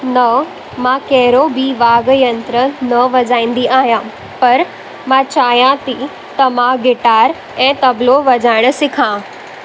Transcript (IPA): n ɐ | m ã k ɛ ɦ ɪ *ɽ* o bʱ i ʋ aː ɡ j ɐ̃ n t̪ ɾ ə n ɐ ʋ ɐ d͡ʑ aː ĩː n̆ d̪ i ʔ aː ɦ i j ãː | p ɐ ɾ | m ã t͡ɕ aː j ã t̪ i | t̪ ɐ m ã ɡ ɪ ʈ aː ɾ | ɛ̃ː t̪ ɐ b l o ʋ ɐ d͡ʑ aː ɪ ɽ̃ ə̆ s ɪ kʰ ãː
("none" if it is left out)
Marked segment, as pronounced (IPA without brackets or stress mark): ɾ